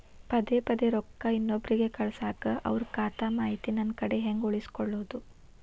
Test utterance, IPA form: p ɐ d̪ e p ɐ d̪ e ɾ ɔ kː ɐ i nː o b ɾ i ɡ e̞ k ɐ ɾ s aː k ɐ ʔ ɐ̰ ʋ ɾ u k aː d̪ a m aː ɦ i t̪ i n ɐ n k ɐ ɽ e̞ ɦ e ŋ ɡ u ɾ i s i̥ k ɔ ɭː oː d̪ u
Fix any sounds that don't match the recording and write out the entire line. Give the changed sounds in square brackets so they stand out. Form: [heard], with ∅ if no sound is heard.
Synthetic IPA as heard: p ɐ d̪ e p ɐ d̪ e ɾ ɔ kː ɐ i nː o b ɾ i ɡ e̞ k ɐ [ɭ] s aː k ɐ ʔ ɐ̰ ʋ ɾ u k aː [t̪] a m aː ɦ i t̪ i n ɐ n k ɐ ɽ e̞ ɦ e ŋ ɡ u [ɭ] i s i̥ k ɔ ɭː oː d̪ u